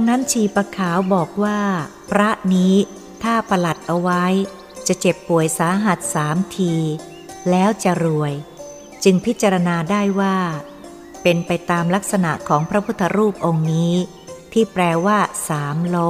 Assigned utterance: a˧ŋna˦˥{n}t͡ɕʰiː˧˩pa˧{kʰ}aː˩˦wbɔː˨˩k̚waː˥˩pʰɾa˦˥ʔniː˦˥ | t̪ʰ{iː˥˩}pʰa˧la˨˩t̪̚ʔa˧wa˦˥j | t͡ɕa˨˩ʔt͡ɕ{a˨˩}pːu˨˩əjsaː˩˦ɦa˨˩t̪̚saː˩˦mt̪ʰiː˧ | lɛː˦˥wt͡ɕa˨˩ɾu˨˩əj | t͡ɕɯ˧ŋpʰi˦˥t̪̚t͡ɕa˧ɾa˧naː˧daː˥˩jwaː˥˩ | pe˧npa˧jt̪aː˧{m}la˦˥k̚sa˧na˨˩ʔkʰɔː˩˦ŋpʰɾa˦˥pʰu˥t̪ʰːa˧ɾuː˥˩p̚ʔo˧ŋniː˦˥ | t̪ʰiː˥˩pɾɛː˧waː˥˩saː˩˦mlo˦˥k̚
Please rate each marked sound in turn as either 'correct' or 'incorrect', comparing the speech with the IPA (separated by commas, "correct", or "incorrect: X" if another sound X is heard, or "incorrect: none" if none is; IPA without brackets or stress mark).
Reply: correct, correct, incorrect: aː˥˩, incorrect: e˨˩, correct